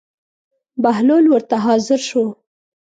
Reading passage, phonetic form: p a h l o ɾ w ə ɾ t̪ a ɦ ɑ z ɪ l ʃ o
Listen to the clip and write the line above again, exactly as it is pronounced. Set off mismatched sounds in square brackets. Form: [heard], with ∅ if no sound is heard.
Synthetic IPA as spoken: [b] a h l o [l] w ə ɾ t̪ a ɦ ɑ z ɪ [ɾ] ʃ o